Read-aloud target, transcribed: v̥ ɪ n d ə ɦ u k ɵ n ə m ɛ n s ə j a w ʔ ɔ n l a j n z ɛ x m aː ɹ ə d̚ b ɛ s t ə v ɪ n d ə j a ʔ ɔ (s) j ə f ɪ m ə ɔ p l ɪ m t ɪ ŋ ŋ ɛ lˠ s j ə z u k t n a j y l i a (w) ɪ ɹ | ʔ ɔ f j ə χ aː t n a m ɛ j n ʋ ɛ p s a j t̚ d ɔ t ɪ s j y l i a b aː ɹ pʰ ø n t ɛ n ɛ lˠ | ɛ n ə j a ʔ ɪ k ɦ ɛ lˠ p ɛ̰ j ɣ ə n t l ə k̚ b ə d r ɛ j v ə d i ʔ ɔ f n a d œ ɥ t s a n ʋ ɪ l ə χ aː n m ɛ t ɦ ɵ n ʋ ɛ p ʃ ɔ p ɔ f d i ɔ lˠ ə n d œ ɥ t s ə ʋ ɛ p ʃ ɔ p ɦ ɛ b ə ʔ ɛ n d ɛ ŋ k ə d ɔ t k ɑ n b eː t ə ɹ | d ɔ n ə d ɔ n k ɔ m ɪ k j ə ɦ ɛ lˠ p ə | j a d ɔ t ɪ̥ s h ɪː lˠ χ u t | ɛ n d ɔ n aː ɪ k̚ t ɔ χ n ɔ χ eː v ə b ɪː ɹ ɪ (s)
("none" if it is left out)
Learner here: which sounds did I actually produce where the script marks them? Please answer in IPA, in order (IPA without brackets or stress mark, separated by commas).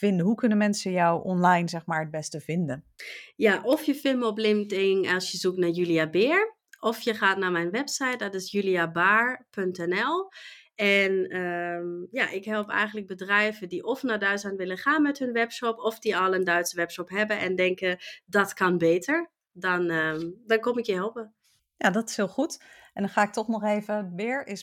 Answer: f, b, s